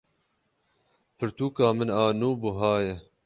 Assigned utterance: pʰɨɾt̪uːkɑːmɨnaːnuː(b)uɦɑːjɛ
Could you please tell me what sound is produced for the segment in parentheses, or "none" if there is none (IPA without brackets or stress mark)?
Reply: b